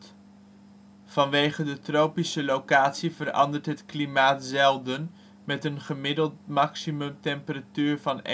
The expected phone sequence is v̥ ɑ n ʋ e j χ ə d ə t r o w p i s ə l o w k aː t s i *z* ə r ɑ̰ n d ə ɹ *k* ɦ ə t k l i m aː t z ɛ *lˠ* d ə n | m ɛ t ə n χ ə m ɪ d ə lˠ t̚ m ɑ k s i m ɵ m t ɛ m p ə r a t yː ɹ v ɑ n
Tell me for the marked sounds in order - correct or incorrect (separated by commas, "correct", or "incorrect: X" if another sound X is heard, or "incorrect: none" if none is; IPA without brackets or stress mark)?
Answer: incorrect: v, incorrect: t, correct